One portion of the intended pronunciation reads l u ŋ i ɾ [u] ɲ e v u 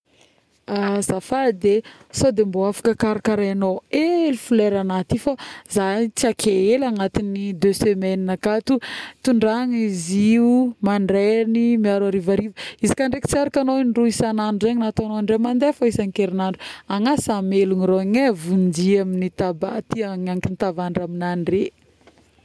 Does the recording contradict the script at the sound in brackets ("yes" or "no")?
yes